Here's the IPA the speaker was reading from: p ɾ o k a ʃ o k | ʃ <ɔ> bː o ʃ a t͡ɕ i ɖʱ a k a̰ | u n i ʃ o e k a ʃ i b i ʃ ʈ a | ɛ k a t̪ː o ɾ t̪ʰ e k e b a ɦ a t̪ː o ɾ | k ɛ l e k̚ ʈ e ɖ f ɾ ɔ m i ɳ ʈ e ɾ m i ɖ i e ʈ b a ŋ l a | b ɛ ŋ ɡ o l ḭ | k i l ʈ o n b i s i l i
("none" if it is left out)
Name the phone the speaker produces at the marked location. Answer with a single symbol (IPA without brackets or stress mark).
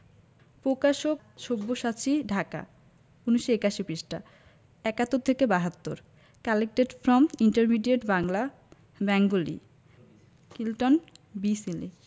o